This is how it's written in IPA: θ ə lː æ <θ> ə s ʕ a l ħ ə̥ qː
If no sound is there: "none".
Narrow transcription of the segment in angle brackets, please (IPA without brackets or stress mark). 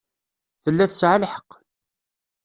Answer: θ